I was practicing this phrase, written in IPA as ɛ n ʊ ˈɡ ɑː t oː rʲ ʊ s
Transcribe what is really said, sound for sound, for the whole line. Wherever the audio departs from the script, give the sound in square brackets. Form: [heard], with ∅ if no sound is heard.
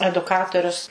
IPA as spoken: ɛ [d] ʊ [ˈk] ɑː t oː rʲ ʊ s